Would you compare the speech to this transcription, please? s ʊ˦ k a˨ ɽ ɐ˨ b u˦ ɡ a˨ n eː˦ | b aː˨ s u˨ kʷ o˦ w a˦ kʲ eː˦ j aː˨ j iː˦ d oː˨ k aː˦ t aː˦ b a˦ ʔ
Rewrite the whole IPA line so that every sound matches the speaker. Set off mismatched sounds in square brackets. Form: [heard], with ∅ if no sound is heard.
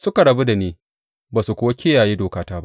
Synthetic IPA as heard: s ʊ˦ k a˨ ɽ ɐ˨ b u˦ [d] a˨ n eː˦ | b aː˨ s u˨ kʷ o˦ w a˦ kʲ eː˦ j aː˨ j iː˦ d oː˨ k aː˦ t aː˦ b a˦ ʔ